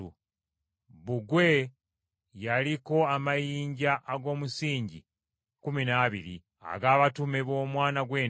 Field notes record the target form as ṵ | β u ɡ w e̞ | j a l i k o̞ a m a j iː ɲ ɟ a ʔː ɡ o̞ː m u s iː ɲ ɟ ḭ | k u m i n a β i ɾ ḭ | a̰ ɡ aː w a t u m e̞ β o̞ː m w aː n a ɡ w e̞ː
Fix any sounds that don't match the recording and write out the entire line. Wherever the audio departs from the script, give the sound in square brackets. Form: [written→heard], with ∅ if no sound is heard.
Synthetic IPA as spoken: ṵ | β u ɡ w e̞ | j a l i k o̞ a m a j iː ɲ ɟ a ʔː ɡ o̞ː m u s iː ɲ ɟ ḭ | k u m i n a β i ɾ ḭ | a̰ ɡ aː [w→β] a t u m e̞ β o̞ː m w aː n a ɡ w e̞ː